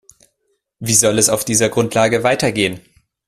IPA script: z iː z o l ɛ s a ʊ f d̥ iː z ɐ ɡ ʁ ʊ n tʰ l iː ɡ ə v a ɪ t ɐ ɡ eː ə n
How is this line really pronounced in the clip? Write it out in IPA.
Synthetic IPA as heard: v iː z ɔ l ɛ s a ʊ f d̥ iː z ɐ ɡ ʁ ʊ n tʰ l aː ɡ ə v a ɪ t ɐ ɡ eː ə n